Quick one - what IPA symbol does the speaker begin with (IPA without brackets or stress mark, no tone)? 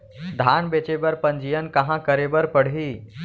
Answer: d̪ʱ